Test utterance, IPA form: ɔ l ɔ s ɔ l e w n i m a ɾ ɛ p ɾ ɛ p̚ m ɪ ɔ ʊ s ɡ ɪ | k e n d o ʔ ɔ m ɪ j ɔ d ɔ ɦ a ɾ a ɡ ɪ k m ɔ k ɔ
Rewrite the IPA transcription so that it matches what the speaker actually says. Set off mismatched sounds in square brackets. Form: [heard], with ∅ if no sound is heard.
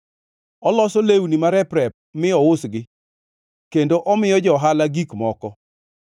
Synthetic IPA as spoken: ɔ l ɔ s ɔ l e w n i m a ɾ ɛ p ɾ ɛ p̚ m ɪ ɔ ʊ s ɡ ɪ | k e n d o ʔ ɔ m ɪ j ɔ [d͡ʒ] ɔ ɦ a [l] a ɡ [i] k m ɔ k ɔ